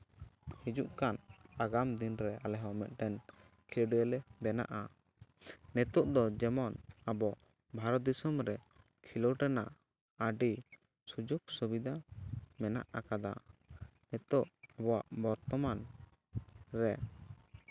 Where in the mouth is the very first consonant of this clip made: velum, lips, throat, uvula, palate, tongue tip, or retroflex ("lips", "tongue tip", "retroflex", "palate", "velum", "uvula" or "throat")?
throat